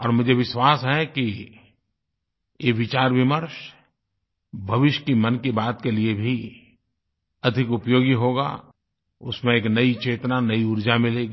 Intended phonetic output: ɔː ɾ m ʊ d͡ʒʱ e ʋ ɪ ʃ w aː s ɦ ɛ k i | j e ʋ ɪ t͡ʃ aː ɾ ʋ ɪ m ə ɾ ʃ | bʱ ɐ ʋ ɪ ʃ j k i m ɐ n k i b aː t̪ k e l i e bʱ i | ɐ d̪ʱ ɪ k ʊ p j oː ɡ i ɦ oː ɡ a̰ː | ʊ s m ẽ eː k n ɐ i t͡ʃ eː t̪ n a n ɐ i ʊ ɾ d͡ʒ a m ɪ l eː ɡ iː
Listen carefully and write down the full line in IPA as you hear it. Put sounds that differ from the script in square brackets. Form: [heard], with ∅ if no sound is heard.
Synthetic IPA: ɔː ɾ m ʊ d͡ʒʱ e ʋ ɪ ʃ w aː s ɦ ɛ k i | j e ʋ ɪ t͡ʃ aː ɾ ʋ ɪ m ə ɾ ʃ | bʱ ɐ ʋ ɪ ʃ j k i m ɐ n k i b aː t̪ k e l i e bʱ i | ɐ d̪ʱ ɪ k ʊ p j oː ɡ i ɦ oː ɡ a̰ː | ʊ s m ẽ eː k n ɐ i t͡ʃ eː t̪ n a n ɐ i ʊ ɾ d͡ʒ a m ɪ l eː ɡ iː